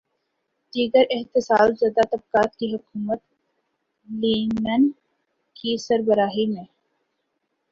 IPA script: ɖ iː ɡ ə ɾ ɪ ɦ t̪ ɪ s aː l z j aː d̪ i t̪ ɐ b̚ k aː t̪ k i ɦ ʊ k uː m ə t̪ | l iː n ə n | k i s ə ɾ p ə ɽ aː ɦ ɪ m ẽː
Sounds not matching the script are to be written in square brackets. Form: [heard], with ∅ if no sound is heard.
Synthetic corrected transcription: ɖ iː ɡ ə ɾ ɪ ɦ t̪ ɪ s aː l z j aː d̪ [a] t̪ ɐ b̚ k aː t̪ k i ɦ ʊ k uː m ə t̪ | l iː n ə n | k i s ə ɾ [b] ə [ɾ] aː ɦ [i] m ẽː